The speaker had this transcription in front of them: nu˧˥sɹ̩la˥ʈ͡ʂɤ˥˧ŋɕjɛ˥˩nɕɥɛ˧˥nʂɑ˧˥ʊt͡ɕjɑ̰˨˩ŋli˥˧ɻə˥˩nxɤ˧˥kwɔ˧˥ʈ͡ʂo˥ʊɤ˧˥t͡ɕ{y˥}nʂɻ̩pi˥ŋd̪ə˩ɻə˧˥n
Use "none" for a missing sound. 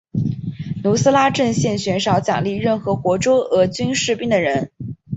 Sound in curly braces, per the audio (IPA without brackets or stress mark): y˥